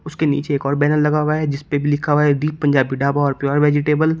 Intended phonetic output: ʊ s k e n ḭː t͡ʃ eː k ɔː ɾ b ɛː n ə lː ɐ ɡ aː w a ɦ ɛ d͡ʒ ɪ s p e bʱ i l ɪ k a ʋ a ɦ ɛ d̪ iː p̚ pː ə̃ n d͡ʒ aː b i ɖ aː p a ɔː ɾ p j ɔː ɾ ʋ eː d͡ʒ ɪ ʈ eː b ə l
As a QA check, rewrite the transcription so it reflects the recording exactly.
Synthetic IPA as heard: ʊ s k e n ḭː t͡ʃ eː k ɔː ɾ b ɛː n ə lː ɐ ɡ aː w a ɦ ɛ d͡ʒ ɪ s p e bʱ i l ɪ kʰ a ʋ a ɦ ɛ d̪ iː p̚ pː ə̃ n d͡ʒ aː b i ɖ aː b a ɔː ɾ p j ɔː ɾ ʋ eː d͡ʒ ɪ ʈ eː b ə l